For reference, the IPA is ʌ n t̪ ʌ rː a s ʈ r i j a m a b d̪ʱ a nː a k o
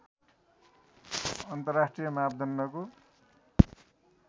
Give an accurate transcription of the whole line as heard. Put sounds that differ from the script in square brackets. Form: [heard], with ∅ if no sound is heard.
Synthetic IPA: ʌ n t̪ ʌ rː a s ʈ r i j [ʌ] m a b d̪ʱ [ʌ] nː [ʌ] k o